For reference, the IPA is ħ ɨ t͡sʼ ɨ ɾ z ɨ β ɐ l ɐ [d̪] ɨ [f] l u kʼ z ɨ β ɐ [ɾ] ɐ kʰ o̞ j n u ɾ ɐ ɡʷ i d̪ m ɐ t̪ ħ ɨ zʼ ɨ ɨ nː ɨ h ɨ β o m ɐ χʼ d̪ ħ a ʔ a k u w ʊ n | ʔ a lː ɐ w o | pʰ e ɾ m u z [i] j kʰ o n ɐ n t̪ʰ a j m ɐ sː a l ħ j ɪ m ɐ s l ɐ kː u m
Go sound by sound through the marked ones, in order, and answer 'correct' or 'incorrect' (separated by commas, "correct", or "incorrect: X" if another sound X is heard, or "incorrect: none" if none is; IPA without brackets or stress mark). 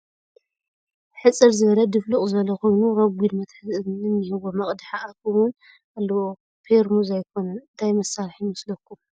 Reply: correct, correct, incorrect: l, incorrect: a